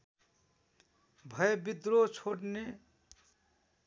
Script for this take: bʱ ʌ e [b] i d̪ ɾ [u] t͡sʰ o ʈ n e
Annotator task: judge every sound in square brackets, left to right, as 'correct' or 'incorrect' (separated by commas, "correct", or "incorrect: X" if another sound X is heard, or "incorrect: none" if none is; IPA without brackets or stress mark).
correct, incorrect: o